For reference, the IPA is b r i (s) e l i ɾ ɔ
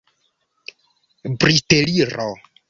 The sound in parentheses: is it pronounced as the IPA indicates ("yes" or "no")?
no